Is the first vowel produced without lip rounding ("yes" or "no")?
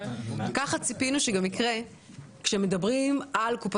yes